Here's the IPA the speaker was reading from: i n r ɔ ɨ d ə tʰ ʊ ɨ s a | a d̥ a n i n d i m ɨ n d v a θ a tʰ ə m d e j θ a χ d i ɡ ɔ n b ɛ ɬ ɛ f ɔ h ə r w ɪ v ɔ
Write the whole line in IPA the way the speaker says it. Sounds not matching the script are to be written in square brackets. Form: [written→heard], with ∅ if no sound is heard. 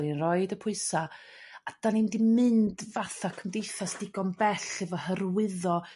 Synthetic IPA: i n r ɔ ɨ d ə [tʰ→pʰ] ʊ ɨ s a | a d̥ a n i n d i m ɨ n d v a θ a [tʰ→kʰ] ə m d e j θ a [χ→s] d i ɡ ɔ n b ɛ ɬ ɛ [f→v] ɔ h ə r w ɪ [v→ð] ɔ